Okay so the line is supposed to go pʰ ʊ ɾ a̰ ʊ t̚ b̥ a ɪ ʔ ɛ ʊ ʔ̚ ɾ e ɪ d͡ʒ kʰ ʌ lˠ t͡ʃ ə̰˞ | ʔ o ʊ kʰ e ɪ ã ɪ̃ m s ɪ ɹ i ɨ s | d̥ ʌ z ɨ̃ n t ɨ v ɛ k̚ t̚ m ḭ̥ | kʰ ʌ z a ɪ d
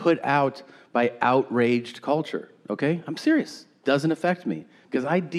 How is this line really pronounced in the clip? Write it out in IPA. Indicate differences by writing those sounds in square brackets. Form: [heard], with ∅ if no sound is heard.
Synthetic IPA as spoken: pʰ ʊ ɾ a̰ ʊ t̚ b̥ a ɪ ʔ [a] ʊ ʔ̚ [ɹ] e ɪ d͡ʒ kʰ ʌ lˠ t͡ʃ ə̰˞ | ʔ o ʊ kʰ e ɪ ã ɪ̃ m s ɪ ɹ i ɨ s | d̥ ʌ z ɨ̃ n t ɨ [f] ɛ k̚ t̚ m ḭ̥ | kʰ ʌ z a ɪ d